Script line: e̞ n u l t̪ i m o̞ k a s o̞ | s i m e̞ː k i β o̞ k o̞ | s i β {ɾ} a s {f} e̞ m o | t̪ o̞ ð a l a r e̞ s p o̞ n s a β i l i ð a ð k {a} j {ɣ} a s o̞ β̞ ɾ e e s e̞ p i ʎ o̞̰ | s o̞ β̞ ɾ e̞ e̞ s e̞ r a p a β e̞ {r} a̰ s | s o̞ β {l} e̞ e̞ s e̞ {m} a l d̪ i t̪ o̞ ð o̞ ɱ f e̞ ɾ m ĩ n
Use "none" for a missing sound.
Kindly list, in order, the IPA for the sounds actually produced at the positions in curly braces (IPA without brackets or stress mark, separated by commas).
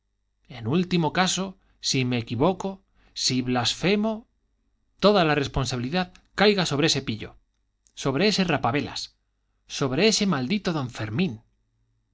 l, f, a, ɣ, l, ɾ, m